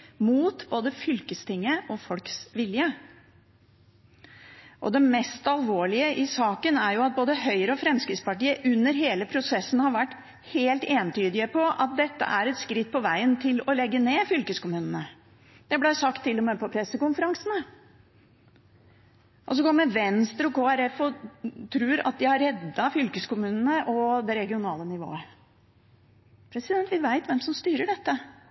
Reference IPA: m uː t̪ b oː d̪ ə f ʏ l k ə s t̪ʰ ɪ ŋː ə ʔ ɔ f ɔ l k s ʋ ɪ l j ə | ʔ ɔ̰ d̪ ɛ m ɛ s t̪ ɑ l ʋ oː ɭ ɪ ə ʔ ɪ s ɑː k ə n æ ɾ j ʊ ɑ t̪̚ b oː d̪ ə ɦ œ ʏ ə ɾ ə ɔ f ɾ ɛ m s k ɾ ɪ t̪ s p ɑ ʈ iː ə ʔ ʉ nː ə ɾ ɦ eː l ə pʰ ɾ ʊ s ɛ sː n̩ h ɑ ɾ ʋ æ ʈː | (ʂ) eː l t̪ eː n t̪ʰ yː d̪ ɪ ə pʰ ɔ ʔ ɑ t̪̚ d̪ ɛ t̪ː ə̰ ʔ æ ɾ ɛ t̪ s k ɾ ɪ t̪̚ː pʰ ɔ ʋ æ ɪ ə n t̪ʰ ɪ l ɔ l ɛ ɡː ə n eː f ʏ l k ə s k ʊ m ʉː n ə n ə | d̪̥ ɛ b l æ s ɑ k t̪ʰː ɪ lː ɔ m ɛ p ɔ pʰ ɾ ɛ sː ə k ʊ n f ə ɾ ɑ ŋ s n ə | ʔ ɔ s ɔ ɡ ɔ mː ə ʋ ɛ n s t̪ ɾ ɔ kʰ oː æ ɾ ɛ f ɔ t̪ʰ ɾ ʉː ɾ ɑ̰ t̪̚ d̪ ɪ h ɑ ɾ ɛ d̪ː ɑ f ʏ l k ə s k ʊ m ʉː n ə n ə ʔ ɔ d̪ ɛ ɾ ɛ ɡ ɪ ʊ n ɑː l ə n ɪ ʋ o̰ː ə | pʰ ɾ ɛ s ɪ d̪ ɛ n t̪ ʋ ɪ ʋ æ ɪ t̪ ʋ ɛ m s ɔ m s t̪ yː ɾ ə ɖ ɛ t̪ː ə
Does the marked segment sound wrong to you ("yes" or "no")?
yes